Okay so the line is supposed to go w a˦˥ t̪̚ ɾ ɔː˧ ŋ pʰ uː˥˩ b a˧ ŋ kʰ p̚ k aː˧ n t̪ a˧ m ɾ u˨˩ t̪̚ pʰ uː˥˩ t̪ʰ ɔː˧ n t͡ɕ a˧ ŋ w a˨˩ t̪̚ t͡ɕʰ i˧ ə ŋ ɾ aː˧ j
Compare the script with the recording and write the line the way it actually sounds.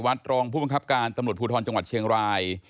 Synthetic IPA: w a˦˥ t̪̚ ɾ ɔː˧ ŋ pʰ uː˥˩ b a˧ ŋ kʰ p̚ k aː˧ n t̪ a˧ m ɾ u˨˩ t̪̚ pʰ uː˧ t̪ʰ ɔː˧ n t͡ɕ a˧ ŋ w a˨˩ t̪̚ t͡ɕʰ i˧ ə ŋ ɾ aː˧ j